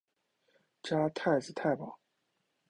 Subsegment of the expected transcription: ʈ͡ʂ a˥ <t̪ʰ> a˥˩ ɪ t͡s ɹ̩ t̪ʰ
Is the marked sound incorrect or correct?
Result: correct